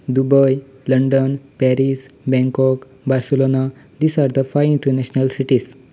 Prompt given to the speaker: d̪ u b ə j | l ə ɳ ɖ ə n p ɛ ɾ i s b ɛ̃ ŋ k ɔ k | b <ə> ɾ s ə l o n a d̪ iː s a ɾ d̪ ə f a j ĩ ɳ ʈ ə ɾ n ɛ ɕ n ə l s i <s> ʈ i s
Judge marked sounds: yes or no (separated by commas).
no, no